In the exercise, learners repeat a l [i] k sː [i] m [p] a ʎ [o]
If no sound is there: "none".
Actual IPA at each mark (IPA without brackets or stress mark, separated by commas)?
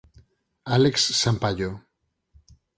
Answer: e, a, p, o